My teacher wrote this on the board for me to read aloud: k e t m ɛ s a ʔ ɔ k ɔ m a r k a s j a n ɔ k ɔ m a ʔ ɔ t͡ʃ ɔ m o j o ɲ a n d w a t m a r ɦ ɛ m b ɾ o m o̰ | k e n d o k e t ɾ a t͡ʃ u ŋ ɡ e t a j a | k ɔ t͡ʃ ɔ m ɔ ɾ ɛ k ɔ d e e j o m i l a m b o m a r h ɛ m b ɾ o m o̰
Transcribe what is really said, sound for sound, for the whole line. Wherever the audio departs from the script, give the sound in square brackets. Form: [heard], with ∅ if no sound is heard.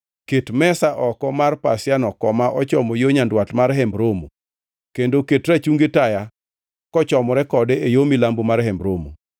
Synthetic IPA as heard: k e t m ɛ s a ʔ ɔ k ɔ m a r [p] a s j a n ɔ k ɔ m a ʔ ɔ t͡ʃ ɔ m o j o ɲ a n d w a t m a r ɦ ɛ m b ɾ o m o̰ | k e n d o k e t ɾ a t͡ʃ u ŋ ɡ e t a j a | k ɔ t͡ʃ ɔ m ɔ ɾ ɛ k ɔ d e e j o m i l a m b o m a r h ɛ m b ɾ o m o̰